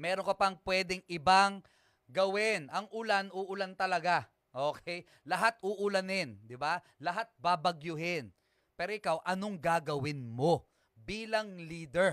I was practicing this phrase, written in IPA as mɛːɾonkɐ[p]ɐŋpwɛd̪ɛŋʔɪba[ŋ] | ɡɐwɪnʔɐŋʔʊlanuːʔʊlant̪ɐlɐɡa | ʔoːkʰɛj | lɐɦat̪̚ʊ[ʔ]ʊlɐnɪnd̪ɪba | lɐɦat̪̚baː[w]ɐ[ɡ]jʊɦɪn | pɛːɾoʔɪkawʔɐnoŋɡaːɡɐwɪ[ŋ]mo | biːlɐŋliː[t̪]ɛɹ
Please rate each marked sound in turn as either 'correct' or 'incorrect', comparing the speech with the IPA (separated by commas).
correct, correct, correct, incorrect, correct, incorrect, incorrect